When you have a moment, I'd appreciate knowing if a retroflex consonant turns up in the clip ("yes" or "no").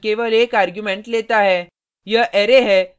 yes